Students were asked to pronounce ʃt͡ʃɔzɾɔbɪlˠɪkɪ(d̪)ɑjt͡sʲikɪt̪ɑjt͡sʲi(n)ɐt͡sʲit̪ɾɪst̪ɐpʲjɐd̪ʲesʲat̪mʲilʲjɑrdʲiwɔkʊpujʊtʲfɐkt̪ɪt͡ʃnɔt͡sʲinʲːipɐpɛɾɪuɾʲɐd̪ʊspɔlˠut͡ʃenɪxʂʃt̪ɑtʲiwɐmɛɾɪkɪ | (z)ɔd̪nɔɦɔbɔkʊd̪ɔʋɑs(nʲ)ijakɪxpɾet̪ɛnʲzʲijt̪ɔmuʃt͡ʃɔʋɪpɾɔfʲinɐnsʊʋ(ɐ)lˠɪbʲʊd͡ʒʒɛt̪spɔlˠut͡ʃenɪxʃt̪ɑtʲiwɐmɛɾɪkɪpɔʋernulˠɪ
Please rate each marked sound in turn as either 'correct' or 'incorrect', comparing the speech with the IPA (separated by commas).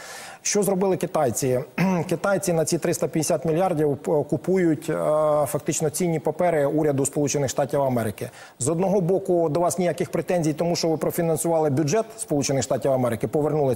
incorrect, correct, correct, correct, incorrect